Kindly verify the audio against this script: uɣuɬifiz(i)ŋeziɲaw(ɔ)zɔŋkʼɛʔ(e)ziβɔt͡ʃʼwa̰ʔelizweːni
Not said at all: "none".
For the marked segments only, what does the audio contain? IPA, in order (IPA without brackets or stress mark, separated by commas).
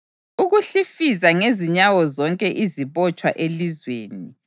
a, ɔ, i